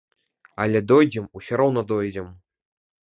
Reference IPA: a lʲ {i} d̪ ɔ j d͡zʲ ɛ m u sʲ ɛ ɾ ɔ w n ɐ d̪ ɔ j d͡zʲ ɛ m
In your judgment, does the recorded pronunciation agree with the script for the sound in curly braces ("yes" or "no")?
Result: no